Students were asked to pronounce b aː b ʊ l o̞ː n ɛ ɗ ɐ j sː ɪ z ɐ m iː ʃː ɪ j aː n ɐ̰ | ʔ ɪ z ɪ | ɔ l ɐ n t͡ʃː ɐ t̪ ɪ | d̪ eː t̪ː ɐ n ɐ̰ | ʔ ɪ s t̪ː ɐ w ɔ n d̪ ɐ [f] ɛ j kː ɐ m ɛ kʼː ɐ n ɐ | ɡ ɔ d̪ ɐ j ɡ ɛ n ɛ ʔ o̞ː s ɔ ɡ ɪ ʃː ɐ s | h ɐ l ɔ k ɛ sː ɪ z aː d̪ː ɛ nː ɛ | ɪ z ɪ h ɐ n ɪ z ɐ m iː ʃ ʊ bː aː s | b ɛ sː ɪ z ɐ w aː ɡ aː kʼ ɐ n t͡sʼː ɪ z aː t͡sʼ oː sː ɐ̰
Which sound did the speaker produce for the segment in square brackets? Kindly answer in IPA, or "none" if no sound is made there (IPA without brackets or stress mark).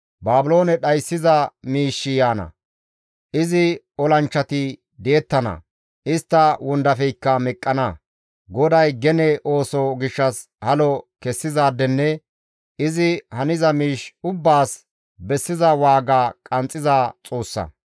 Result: f